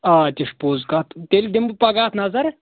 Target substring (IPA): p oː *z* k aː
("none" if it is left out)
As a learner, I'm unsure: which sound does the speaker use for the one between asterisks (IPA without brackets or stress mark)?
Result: z